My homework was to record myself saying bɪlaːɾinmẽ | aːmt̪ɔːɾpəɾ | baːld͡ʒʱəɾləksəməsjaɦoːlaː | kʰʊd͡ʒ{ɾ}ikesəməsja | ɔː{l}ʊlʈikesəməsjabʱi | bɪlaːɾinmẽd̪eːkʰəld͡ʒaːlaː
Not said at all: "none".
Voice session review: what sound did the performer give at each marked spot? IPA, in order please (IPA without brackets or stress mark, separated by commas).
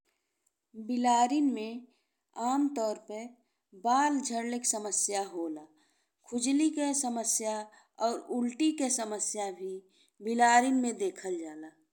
l, ɾ